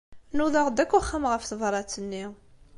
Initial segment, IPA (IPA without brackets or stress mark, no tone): n